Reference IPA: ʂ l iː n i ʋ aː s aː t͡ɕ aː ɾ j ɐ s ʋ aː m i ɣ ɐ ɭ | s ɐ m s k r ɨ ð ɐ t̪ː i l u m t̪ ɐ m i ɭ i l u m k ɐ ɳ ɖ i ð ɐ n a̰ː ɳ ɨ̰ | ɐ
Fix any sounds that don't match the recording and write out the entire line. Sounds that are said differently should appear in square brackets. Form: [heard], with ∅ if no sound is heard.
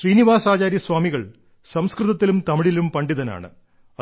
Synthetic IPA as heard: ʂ [r] iː n i ʋ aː s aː t͡ɕ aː ɾ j ɐ s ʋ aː m i ɣ ɐ ɭ | s ɐ m s k r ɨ ð ɐ t̪ː i l u m t̪ ɐ m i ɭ i l u m [p] ɐ ɳ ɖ i ð ɐ n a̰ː ɳ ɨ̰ | ɐ